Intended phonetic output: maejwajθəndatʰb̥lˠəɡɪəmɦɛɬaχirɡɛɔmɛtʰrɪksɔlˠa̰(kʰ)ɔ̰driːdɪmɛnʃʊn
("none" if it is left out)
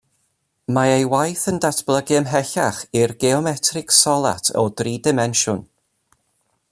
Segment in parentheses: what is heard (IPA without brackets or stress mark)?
tʰ